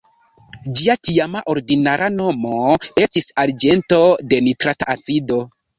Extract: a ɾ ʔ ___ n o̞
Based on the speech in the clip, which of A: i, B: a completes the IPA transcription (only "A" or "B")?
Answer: B